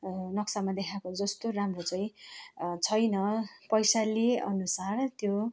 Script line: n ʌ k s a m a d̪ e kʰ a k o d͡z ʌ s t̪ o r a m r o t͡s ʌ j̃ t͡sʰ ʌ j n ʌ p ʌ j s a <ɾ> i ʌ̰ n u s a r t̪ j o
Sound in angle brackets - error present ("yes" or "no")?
yes